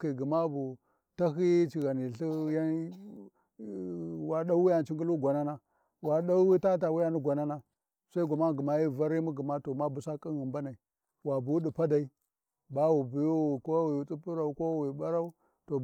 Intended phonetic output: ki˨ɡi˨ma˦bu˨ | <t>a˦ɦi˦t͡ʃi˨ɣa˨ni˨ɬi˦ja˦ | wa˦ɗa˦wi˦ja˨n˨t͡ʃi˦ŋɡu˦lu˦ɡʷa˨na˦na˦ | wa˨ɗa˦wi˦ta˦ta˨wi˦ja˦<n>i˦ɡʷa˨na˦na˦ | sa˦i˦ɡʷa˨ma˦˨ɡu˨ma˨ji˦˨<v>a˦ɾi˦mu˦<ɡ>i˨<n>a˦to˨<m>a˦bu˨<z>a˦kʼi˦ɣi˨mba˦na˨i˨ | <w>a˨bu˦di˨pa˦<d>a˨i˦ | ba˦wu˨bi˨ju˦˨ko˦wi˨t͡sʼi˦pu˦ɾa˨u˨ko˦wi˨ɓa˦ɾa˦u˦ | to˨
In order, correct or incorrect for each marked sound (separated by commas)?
correct, correct, correct, correct, incorrect, correct, incorrect, correct, correct